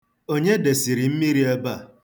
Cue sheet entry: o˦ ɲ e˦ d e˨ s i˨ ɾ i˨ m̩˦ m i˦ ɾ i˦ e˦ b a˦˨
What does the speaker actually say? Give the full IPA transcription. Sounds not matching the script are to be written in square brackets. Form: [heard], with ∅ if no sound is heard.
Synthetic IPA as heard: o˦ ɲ e˦ d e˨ s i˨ ɾ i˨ m̩˦ m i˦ ɾ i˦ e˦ b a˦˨